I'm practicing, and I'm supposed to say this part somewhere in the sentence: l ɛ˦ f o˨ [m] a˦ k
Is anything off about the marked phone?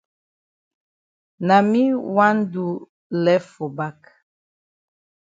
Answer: yes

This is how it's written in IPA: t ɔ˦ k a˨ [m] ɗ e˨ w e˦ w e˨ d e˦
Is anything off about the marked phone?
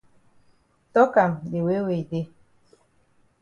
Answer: no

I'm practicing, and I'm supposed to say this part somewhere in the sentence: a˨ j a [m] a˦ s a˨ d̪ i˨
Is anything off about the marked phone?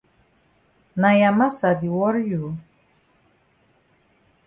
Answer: no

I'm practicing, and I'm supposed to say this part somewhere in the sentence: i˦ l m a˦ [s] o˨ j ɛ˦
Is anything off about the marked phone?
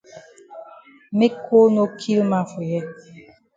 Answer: yes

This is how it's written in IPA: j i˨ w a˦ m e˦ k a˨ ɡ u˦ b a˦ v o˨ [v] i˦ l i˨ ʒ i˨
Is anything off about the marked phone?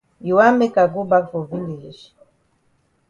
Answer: no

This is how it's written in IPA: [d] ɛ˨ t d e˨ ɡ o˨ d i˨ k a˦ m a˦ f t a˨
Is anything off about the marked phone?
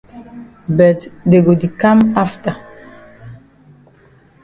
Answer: yes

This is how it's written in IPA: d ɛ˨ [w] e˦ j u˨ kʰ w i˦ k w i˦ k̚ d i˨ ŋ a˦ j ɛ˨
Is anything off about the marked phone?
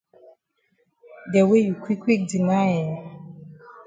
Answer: no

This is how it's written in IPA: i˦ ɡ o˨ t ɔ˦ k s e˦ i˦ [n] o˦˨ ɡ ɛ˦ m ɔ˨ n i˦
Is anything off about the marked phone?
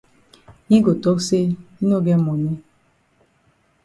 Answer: no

